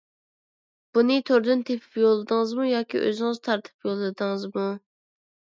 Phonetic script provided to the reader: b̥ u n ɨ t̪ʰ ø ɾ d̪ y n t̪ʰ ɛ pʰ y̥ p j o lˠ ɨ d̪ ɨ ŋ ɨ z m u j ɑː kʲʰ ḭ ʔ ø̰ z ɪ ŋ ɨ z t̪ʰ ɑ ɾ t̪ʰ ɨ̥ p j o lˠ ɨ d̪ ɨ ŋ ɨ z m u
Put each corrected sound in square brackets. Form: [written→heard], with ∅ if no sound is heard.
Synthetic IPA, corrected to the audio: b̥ u n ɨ t̪ʰ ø ɾ d̪ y n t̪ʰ [ɛ→e] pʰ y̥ p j o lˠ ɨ d̪ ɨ ŋ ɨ z m u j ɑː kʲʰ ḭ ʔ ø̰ z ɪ ŋ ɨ z t̪ʰ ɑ ɾ t̪ʰ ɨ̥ p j o lˠ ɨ d̪ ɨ ŋ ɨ z m u